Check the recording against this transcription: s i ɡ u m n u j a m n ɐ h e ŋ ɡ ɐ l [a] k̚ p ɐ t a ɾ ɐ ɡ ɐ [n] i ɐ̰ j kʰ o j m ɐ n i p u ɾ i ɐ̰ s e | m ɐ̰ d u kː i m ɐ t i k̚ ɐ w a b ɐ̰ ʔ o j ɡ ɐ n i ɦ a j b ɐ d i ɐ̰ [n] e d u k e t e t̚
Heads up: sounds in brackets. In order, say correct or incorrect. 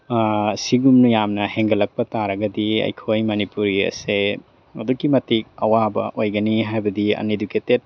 incorrect: ɐ, incorrect: d, correct

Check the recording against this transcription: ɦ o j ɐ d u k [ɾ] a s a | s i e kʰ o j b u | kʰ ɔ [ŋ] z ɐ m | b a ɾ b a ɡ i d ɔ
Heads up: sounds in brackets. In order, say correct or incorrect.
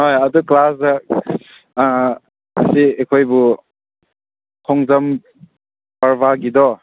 incorrect: l, correct

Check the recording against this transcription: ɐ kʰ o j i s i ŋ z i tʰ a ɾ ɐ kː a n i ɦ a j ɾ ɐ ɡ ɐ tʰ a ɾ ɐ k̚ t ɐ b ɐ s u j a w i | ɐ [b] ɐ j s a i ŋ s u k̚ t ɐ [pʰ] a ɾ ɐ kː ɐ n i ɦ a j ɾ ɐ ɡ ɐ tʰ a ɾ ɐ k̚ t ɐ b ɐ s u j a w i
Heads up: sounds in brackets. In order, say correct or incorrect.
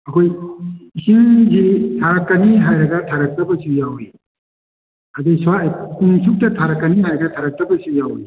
incorrect: d, incorrect: tʰ

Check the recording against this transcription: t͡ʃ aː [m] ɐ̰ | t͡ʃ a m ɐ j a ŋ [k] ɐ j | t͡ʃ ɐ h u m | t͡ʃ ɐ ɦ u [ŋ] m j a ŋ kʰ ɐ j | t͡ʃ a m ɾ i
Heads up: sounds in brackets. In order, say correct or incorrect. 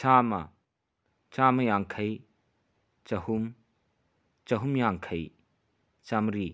correct, incorrect: kʰ, incorrect: none

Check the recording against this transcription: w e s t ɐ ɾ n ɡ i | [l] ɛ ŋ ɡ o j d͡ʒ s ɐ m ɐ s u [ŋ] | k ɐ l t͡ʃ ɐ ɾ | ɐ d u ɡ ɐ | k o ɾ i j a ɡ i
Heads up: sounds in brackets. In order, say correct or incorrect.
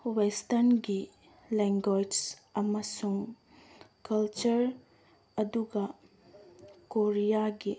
correct, correct

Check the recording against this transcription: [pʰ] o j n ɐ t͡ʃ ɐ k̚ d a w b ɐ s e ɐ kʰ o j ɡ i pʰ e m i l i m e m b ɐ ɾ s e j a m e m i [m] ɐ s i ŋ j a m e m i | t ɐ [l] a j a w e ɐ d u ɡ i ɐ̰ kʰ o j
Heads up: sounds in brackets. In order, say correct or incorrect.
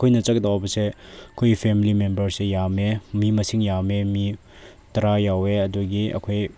incorrect: kʰ, correct, incorrect: ɾ

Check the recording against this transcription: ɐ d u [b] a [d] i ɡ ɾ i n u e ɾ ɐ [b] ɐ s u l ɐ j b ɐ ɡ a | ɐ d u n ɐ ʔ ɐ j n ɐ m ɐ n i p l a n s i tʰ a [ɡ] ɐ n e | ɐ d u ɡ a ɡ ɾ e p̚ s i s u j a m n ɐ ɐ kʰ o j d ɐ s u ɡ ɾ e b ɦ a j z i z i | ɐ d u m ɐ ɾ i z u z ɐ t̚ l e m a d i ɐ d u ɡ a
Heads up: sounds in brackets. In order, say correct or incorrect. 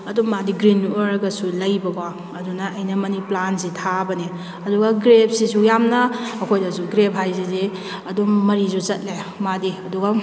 incorrect: m, correct, incorrect: ɡ, incorrect: b

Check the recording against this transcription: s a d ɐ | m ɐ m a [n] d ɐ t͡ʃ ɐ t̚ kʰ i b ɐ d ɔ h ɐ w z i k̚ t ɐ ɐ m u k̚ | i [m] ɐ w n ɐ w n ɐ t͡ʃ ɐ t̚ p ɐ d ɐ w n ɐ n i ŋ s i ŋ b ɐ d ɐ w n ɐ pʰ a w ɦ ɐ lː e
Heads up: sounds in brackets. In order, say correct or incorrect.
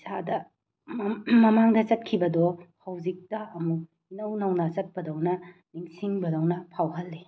incorrect: ŋ, incorrect: n

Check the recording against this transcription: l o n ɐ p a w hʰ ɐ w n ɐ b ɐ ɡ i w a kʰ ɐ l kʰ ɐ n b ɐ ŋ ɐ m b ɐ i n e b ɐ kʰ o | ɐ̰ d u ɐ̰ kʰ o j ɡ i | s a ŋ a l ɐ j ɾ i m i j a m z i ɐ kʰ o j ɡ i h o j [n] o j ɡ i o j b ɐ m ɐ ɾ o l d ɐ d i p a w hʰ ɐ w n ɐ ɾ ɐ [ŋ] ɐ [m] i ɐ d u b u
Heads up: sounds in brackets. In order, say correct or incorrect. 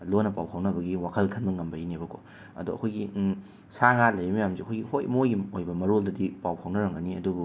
incorrect: m, correct, incorrect: n

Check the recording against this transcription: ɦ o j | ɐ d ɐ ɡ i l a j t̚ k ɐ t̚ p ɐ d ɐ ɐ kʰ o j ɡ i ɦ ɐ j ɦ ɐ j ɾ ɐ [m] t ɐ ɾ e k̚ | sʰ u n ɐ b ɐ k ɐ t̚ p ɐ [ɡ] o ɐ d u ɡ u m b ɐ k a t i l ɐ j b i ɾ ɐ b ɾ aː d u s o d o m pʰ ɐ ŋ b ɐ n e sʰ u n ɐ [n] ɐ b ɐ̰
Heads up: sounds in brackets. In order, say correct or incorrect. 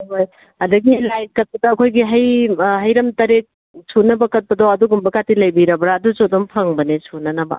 correct, incorrect: d, correct

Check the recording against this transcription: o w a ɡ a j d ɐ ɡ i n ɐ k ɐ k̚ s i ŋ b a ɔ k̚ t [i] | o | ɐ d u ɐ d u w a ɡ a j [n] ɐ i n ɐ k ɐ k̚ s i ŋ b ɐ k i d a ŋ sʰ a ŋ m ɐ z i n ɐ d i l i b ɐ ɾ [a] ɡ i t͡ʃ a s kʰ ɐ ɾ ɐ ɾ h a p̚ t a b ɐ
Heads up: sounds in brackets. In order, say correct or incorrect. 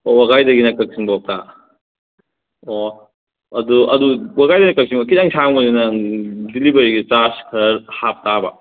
incorrect: a, incorrect: d, incorrect: i

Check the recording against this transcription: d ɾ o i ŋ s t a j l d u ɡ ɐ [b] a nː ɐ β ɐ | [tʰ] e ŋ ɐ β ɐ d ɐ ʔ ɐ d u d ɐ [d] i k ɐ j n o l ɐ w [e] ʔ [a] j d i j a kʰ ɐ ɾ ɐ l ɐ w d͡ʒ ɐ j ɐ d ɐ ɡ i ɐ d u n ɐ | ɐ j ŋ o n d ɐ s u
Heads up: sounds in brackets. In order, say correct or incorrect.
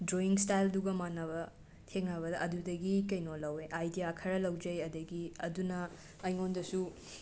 incorrect: m, correct, incorrect: ɡ, correct, correct

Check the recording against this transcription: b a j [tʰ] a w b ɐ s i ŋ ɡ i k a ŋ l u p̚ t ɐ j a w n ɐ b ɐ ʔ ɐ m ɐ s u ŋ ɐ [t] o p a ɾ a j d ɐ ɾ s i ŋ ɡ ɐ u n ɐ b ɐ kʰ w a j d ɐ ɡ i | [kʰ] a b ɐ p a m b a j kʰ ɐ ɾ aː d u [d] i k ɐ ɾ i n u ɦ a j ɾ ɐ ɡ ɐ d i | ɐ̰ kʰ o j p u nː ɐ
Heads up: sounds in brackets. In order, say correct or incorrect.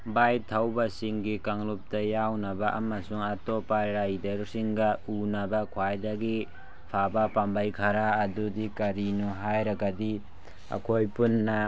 correct, correct, incorrect: pʰ, correct

